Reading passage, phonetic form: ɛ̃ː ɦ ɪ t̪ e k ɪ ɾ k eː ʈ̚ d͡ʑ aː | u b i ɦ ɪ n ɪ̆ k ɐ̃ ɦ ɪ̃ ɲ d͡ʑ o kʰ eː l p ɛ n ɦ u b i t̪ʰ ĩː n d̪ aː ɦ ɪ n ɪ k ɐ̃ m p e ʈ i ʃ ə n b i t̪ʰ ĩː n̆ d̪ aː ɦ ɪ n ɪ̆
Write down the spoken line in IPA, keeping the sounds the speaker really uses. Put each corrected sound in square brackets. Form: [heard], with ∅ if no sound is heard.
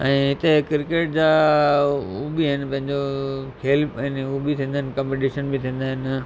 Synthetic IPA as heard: ɛ̃ː ɦ ɪ t̪ e k ɪ ɾ k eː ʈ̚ d͡ʑ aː | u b i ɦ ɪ n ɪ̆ [p] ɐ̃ ɦ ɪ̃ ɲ d͡ʑ o kʰ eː l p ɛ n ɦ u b i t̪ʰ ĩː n d̪ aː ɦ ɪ n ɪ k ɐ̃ m p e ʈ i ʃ ə n b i t̪ʰ ĩː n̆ d̪ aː ɦ ɪ n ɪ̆